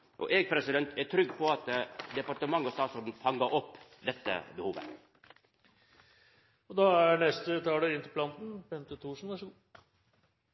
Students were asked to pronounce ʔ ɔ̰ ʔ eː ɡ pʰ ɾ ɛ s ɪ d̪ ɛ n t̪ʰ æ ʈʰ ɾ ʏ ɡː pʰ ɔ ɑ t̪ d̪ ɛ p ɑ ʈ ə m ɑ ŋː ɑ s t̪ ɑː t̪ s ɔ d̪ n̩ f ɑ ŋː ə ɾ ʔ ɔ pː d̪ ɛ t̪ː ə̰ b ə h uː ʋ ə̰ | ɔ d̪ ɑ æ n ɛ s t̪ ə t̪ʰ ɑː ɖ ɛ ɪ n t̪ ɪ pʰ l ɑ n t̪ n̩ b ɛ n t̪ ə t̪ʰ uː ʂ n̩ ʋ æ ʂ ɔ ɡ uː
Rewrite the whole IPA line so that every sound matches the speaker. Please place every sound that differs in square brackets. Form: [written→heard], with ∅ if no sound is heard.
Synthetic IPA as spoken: ʔ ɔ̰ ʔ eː ɡ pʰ ɾ ɛ s ɪ d̪ ɛ n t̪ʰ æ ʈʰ ɾ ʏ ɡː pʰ ɔ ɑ t̪ d̪ ɛ p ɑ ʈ ə m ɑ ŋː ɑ s t̪ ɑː t̪ s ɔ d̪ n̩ f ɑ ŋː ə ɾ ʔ ɔ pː d̪ ɛ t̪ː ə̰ b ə h uː ʋ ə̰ | ɔ d̪ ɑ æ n ɛ s t̪ ə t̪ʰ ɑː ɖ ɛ ɪ n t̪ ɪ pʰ l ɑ n t̪ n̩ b ɛ n t̪ ə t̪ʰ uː ʂ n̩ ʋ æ ʂ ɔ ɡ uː